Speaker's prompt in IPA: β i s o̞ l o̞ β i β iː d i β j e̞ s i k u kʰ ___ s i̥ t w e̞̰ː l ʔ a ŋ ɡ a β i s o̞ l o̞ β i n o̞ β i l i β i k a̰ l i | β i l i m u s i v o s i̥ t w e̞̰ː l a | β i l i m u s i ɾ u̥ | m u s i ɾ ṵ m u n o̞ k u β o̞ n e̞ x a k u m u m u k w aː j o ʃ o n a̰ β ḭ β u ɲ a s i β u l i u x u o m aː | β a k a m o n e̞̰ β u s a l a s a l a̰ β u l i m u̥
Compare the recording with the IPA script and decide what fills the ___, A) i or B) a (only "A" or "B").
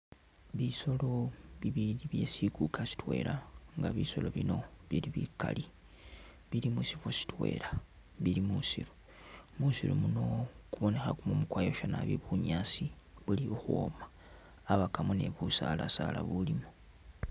B